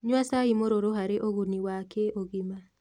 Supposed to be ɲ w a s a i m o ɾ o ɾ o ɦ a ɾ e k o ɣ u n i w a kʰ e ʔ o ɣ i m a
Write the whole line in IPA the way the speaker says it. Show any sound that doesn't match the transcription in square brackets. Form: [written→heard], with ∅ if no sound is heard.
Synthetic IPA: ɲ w a s a i m o ɾ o ɾ o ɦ a ɾ e [k→ʔ] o ɣ u n i w a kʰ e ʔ o ɣ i m a